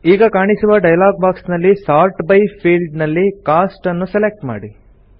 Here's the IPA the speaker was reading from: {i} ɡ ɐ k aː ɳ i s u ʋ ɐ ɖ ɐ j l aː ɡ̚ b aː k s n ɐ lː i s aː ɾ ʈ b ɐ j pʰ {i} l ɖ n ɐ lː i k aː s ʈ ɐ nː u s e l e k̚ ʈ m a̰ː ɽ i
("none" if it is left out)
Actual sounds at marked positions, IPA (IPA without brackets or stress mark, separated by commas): iː, iː